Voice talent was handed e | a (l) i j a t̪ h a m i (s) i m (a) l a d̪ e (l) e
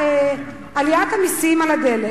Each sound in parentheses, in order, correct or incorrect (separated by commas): correct, correct, correct, correct